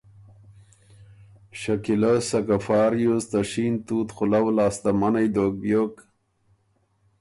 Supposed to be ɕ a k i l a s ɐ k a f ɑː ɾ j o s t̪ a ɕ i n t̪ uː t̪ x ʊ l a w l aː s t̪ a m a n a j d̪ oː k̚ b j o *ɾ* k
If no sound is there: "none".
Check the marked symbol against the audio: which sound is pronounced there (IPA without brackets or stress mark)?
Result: none